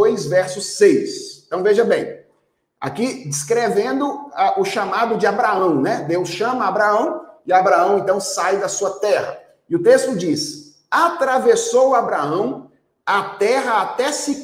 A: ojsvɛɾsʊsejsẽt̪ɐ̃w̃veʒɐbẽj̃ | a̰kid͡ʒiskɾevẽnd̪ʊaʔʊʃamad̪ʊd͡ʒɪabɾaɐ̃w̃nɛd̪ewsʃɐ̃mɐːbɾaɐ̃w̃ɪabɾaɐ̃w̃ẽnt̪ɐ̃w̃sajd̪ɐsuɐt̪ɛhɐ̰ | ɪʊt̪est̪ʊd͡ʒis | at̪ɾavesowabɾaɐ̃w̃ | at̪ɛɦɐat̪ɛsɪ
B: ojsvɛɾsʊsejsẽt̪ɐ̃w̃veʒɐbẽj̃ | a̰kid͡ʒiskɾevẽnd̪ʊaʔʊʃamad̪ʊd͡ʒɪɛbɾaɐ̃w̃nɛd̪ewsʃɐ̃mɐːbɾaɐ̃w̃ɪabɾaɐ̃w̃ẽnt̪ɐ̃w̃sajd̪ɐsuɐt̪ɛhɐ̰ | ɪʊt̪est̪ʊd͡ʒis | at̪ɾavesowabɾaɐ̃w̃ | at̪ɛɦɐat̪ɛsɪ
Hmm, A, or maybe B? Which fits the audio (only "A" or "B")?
A